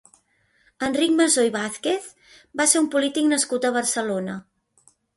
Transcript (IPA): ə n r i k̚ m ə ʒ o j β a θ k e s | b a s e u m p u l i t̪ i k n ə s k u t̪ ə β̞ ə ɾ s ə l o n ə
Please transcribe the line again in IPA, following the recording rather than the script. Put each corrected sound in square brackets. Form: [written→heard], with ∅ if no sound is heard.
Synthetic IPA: ə n r i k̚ m ə [ʒ→z] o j β a θ k e [s→θ] | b a s e u m p u l i t̪ i k n ə s k u t̪ ə β̞ ə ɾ s ə l o n ə